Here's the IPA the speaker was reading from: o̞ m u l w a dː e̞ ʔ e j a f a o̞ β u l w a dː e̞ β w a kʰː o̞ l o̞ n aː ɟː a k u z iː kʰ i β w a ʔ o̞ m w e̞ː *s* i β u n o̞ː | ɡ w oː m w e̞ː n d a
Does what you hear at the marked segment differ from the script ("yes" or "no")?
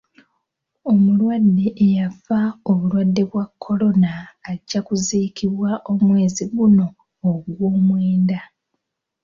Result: yes